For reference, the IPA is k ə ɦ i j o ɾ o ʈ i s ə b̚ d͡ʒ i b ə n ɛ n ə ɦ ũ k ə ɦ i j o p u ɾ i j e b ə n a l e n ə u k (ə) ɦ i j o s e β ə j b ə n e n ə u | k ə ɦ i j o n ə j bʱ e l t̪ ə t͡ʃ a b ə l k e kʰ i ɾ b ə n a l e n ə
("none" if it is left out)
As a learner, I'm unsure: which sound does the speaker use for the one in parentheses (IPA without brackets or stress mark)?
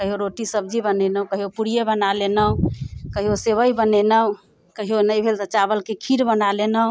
ə